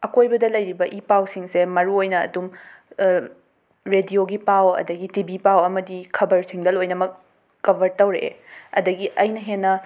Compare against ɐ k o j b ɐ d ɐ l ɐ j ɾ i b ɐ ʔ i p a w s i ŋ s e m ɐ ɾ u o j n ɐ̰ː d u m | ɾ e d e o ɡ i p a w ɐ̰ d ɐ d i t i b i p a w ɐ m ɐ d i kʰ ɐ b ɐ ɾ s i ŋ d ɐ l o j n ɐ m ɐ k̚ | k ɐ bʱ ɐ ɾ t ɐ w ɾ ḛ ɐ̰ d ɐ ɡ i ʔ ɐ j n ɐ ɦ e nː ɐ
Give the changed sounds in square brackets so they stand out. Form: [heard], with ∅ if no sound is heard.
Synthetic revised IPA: ɐ k o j b ɐ d ɐ l ɐ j ɾ i b ɐ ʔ i p a w s i ŋ s e m ɐ ɾ u o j n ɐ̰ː d u m | ɾ e d [i] o ɡ i p a w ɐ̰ d ɐ [ɡ] i t i b i p a w ɐ m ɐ d i kʰ ɐ b ɐ ɾ s i ŋ d ɐ l o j n ɐ m ɐ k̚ | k ɐ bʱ ɐ ɾ t ɐ w ɾ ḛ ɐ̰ d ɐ ɡ i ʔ ɐ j n ɐ ɦ e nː ɐ